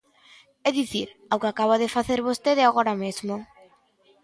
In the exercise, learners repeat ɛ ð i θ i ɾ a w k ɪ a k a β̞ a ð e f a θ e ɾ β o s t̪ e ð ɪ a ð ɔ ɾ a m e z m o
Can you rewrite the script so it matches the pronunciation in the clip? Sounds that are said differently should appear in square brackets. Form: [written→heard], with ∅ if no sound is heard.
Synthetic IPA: ɛ ð i θ i ɾ a w k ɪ a k a β̞ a ð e f a θ e ɾ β o s t̪ e ð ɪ a [ð→ɣ] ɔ ɾ a m e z m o